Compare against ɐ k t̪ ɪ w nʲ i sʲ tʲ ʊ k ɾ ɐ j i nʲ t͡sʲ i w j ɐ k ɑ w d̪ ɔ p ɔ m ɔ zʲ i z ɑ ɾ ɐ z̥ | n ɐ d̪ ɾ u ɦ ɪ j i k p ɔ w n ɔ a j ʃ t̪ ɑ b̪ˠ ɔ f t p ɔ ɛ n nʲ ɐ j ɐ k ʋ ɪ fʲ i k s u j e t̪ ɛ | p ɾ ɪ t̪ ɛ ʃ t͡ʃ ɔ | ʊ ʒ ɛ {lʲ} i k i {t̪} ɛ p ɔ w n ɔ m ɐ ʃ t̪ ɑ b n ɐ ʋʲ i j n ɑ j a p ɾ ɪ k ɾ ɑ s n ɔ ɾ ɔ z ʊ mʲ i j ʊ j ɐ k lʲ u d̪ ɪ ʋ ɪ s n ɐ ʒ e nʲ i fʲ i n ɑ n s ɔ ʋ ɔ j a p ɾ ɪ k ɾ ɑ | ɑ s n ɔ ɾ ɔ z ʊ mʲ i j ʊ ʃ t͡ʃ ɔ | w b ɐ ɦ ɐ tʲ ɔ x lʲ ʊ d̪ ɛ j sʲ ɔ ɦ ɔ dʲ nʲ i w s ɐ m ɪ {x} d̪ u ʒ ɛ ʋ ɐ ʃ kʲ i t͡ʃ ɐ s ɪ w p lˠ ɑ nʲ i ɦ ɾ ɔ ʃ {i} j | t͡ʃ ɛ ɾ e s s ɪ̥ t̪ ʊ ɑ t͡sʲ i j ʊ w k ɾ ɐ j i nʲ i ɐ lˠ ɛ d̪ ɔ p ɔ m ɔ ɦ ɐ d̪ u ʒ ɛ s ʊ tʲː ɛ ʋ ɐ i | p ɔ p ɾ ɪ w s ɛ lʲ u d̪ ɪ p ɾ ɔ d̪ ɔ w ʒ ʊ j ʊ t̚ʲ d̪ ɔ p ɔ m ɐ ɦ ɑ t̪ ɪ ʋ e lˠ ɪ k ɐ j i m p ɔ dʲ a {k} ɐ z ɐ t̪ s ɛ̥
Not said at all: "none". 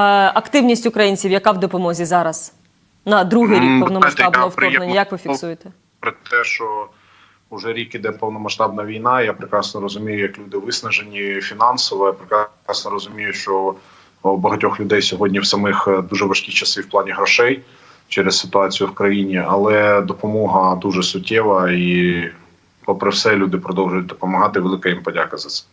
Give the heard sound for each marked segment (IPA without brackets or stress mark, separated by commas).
ɾʲ, d̪, x, ɛ, k